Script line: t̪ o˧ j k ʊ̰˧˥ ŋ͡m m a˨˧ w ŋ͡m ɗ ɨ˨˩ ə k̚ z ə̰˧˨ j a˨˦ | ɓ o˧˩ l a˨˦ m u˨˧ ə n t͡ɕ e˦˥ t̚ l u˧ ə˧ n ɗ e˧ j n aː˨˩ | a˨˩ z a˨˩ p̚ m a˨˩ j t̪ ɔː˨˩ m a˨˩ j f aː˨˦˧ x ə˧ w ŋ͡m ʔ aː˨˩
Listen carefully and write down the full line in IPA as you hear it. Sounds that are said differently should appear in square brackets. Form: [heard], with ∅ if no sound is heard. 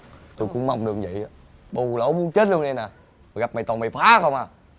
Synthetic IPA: t̪ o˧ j k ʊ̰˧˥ ŋ͡m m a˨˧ w ŋ͡m ɗ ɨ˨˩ ə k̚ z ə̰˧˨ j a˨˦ | ɓ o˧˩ l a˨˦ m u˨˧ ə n t͡ɕ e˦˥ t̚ l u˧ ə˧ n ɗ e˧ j n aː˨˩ | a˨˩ [ɣ] a˨˩ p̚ m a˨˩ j t̪ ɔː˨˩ m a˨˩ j f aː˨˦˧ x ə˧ w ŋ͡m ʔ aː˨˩